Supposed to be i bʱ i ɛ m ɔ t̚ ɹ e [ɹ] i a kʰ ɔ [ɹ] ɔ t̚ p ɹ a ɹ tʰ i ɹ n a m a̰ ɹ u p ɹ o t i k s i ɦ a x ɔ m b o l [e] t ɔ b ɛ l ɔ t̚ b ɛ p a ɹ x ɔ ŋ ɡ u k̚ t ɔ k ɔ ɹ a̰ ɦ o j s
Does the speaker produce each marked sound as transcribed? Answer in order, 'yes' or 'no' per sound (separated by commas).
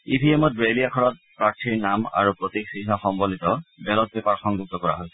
no, yes, no